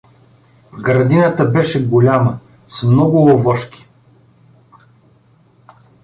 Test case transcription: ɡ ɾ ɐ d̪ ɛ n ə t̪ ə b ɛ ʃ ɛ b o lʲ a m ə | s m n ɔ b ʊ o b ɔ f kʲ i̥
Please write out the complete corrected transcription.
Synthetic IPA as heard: ɡ ɾ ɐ d̪ i n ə t̪ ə b ɛ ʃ ɛ ɡ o lʲ a m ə | s m n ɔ ɡ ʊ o v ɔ ʃ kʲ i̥